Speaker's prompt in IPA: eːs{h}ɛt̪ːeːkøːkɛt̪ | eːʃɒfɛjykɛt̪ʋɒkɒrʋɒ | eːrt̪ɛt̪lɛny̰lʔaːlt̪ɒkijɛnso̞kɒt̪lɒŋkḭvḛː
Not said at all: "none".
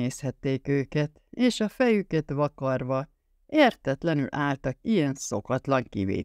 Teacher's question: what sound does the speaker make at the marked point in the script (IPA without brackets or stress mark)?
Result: h